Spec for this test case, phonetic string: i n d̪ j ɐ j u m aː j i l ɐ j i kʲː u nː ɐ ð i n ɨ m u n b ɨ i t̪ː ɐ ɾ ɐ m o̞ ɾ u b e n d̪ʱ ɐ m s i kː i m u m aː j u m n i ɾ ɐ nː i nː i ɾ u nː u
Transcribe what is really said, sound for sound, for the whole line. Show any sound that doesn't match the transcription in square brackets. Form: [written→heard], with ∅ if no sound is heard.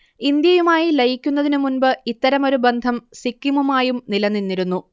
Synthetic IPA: i n d̪ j ɐ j u m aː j i l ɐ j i kʲː u nː ɐ ð i n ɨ m u n b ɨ i t̪ː ɐ ɾ ɐ m o̞ ɾ u b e n d̪ʱ ɐ m s i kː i m u m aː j u m n i [ɾ→l] ɐ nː i nː i ɾ u nː u